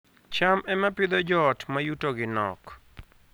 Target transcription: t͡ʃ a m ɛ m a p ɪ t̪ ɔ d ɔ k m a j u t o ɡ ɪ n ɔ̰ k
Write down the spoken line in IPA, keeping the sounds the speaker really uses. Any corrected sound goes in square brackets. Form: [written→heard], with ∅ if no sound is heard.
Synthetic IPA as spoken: t͡ʃ a m ɛ m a p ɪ [t̪→d̪] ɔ [d→d͡ʒ] ɔ [k→t] m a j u t o ɡ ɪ n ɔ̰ k